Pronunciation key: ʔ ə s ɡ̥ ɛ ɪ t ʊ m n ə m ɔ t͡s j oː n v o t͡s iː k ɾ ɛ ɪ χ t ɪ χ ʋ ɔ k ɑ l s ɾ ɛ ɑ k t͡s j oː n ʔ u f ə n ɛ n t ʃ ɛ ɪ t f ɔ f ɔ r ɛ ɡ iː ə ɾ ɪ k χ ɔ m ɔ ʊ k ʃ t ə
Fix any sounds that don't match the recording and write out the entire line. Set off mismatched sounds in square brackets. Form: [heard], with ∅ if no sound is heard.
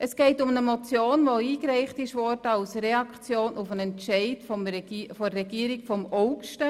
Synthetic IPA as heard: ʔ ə s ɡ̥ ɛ ɪ t ʊ m n ə m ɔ t͡s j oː n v o [∅] iː k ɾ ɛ ɪ χ t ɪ [ʃ] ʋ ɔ [t] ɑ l s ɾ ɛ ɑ k t͡s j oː n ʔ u f ə n ɛ n t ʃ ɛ ɪ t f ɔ f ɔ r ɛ ɡ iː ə ɾ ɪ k [f] ɔ m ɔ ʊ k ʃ t ə

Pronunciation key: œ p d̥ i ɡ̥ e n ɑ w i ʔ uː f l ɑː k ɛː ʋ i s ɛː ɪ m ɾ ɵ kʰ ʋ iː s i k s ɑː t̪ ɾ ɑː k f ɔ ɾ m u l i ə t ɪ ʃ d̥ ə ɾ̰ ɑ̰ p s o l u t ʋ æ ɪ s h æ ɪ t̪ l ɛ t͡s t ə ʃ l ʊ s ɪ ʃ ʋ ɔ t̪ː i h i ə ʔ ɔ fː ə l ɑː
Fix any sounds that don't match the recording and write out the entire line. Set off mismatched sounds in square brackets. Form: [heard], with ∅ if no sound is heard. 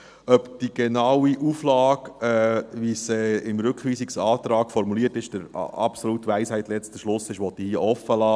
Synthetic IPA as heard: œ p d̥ i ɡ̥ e n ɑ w i ʔ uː f l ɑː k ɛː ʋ i s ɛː ɪ m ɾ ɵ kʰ ʋ iː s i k s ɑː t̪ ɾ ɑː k f ɔ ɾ m u l i ə t ɪ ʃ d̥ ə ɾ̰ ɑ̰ p s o l u t ʋ æ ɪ s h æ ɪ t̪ l ɛ t͡s t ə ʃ l ʊ s ɪ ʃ ʋ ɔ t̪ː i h i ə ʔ ɔ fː ə l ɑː

